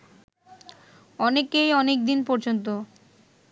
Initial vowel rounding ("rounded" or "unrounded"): rounded